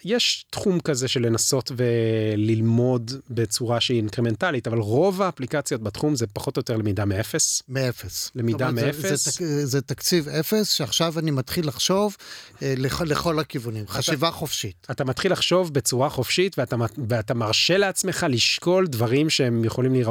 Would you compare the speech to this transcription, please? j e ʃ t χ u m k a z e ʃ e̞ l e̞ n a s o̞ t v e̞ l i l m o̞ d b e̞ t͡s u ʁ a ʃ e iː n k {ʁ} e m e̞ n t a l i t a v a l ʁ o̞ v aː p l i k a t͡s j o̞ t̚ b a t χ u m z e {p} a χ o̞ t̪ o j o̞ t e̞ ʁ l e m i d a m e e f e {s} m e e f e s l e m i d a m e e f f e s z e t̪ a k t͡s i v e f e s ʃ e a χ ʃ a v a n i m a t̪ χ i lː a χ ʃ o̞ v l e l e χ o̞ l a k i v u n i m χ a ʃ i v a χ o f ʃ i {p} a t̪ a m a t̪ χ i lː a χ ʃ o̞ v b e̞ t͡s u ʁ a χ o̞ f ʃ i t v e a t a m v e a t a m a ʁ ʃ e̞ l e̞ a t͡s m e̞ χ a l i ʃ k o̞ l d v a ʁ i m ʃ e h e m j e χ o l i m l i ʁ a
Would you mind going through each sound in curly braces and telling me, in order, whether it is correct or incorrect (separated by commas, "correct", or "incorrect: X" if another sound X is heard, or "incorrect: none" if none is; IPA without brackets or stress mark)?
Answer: correct, correct, correct, incorrect: t